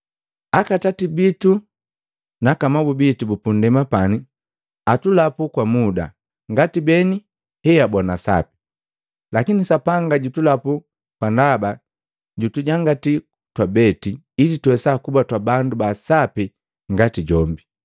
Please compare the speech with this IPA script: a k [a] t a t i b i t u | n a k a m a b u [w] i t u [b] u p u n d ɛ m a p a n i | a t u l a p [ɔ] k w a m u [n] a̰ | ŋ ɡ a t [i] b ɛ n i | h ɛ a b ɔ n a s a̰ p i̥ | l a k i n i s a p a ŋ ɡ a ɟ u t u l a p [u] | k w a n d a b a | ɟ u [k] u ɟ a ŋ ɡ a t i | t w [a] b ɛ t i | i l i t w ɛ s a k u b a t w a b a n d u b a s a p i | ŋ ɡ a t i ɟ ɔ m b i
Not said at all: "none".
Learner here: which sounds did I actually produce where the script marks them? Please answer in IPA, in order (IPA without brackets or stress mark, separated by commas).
a, b, b, u, d, i, u, t, a